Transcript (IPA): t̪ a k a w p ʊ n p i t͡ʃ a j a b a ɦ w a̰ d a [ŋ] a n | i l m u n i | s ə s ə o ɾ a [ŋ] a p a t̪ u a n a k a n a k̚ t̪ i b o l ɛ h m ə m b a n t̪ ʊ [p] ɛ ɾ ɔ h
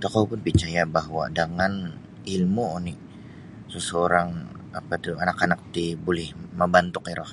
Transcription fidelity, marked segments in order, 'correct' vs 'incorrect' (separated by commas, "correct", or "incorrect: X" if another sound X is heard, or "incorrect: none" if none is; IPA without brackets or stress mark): correct, correct, incorrect: k